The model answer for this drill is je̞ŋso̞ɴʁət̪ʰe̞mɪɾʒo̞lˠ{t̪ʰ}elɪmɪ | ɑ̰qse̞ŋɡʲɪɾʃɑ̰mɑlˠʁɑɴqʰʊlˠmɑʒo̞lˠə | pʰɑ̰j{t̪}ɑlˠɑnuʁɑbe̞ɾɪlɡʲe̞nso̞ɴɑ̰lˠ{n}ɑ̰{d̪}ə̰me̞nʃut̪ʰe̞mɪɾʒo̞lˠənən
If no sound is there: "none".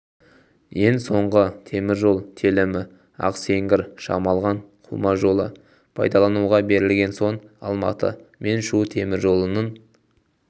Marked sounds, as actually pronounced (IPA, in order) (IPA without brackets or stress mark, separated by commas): t̪ʰ, d̪, m, t̪